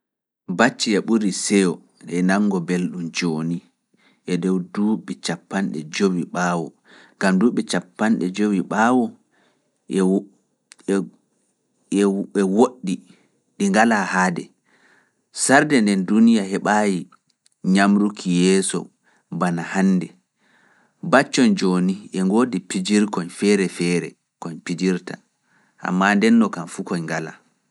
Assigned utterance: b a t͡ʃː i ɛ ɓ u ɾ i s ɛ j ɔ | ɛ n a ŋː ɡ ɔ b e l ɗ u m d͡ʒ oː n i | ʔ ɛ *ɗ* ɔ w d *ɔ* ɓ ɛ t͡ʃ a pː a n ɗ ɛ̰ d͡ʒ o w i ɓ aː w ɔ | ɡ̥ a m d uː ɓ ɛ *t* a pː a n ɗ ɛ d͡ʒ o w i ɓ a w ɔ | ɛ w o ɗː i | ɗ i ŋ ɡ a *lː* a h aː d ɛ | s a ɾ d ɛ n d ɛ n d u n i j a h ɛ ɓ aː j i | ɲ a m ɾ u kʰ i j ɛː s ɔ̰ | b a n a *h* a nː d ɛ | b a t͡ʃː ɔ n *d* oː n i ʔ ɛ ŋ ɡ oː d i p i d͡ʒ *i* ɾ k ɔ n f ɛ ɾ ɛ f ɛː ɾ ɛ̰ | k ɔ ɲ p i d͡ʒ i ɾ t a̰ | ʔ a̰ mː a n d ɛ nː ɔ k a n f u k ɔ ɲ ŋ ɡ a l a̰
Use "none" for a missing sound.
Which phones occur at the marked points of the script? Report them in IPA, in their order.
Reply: d, u, t͡ʃ, l, h, d͡ʒ, i

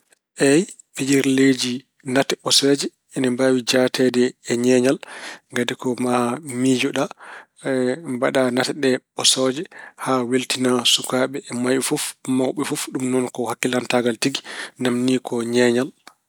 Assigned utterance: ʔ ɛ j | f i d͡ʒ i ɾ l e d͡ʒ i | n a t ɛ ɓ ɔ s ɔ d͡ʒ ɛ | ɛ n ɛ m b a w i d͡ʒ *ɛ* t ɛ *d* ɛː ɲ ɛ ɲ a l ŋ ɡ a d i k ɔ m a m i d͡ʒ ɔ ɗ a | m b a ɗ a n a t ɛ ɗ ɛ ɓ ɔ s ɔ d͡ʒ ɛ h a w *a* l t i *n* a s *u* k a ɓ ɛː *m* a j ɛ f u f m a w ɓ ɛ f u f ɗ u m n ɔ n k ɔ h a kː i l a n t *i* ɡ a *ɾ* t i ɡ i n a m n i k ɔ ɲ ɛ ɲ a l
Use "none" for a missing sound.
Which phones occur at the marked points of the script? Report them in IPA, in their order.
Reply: a, d, e, n, u, m, a, l

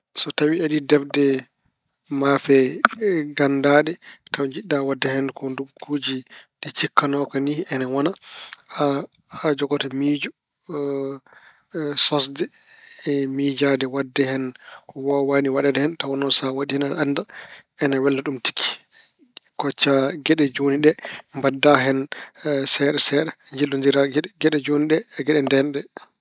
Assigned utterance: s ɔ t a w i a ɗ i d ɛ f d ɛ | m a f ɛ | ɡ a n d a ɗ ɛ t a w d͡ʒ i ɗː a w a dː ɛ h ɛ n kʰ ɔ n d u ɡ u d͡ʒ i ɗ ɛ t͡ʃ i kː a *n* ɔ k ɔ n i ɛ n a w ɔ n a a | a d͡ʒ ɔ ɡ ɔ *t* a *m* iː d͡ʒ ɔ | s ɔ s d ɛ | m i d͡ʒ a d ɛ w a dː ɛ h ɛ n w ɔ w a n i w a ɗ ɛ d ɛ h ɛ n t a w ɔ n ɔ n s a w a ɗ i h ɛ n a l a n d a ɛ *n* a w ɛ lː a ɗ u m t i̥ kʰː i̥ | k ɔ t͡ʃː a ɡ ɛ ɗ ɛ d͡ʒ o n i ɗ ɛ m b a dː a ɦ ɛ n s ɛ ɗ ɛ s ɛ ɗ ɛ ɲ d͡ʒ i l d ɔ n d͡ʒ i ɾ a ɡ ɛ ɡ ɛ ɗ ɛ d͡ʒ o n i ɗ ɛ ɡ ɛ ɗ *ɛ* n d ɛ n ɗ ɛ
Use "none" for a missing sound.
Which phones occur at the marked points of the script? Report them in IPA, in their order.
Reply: n, t, m, n, ɛ

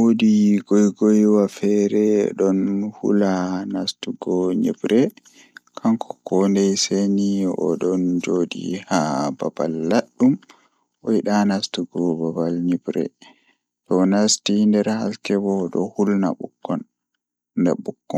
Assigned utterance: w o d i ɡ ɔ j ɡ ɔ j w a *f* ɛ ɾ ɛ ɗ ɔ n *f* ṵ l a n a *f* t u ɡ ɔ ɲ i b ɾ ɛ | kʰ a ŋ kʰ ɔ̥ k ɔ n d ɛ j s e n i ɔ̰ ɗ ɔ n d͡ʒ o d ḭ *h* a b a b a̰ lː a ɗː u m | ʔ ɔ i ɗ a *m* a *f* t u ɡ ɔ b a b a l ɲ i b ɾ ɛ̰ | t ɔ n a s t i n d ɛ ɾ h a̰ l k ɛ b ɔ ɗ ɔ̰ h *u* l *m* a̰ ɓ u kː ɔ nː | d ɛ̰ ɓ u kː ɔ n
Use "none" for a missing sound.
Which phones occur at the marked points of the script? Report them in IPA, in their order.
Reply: f, h, s, h, n, s, u, n

